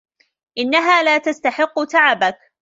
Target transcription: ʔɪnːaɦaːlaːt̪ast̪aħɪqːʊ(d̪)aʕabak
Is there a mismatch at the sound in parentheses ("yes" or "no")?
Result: yes